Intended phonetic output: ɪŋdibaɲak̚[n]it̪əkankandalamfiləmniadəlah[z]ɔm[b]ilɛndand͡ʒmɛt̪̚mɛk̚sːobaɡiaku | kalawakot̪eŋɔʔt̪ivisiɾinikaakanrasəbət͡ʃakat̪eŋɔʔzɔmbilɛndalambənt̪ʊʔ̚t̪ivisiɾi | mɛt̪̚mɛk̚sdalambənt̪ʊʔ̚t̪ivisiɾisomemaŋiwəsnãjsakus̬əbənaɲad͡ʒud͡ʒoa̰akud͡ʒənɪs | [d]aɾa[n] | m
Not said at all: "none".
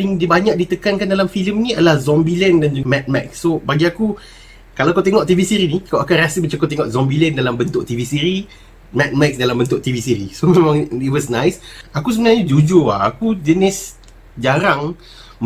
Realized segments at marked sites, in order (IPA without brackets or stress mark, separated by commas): d, z, b, d͡ʒ, ŋ